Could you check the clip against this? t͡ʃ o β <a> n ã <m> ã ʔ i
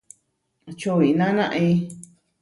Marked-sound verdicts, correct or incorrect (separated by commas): incorrect, incorrect